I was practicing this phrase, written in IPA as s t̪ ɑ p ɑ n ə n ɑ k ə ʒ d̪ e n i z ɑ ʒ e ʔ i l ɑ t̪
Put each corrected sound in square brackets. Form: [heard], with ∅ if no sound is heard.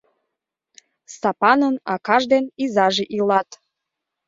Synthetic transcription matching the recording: s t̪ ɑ p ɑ n ə n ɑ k [ɑ] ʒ d̪ e n i z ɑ ʒ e ʔ i l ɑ t̪